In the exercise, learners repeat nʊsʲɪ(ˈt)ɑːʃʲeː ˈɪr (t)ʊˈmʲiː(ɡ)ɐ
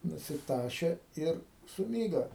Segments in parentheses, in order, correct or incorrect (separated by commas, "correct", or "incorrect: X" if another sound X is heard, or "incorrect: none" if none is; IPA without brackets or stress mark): correct, incorrect: s, correct